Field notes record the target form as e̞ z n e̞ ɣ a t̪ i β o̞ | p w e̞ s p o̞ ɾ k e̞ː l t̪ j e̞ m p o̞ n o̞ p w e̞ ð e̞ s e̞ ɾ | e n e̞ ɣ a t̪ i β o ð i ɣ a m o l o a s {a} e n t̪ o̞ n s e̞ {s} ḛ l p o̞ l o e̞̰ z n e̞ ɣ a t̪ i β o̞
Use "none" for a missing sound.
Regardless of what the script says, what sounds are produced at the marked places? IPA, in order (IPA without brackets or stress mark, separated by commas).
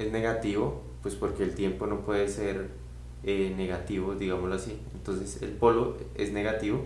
i, s